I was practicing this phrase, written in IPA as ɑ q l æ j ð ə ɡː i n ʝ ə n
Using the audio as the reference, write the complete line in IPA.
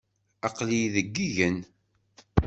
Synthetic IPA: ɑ q l i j ð ə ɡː i ʝ ə n